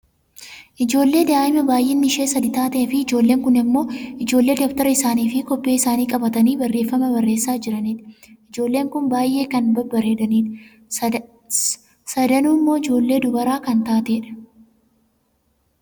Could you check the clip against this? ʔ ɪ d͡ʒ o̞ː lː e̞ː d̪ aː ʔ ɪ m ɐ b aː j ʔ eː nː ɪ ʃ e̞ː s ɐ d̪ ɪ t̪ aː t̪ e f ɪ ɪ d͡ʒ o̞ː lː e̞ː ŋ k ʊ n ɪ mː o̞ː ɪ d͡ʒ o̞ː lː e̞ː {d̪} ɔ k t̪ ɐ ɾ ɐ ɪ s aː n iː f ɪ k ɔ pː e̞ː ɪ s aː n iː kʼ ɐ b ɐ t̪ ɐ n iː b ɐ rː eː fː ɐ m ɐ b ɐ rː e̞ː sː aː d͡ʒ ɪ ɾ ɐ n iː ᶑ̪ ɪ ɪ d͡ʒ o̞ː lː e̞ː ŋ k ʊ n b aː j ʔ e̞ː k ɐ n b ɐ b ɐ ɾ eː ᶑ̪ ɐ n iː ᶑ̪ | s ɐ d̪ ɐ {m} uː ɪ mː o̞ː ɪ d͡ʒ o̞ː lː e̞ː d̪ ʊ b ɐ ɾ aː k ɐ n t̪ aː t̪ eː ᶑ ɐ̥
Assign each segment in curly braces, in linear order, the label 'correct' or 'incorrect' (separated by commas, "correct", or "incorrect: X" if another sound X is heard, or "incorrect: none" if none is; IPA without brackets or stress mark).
correct, incorrect: n